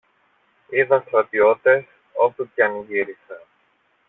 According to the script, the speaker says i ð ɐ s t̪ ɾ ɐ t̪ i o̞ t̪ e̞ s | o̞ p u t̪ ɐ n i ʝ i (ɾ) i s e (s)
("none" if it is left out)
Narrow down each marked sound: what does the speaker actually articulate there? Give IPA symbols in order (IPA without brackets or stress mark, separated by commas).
ɾ, none